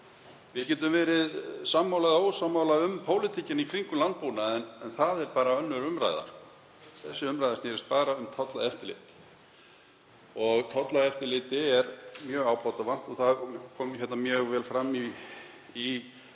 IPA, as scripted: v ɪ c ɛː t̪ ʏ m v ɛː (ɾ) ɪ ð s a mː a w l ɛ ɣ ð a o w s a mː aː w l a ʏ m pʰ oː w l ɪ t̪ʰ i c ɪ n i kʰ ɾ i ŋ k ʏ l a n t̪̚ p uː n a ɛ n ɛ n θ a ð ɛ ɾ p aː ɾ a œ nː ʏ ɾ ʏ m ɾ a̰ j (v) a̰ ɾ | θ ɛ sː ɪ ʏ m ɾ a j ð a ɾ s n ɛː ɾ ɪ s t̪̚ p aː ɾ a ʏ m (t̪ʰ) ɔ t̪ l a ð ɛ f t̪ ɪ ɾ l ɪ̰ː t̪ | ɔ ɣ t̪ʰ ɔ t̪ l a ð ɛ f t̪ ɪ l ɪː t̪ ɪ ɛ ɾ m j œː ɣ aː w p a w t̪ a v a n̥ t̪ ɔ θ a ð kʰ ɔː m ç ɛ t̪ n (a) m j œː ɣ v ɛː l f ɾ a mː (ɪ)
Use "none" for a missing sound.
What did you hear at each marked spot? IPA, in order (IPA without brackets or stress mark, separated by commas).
ɾ, ð, t̪ʰ, a, i